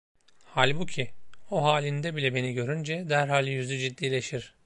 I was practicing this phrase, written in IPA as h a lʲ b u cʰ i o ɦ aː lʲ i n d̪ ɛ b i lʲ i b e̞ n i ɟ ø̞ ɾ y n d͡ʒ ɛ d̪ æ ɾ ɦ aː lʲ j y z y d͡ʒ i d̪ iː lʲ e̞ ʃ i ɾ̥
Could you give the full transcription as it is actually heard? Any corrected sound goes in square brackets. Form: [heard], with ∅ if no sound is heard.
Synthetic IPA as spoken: h a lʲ b u cʰ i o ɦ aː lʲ i n d̪ ɛ b i lʲ [ɛ] b e̞ n i ɟ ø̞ ɾ y n d͡ʒ ɛ d̪ æ ɾ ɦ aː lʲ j y z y d͡ʒ i [d̪ː] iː lʲ e̞ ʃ i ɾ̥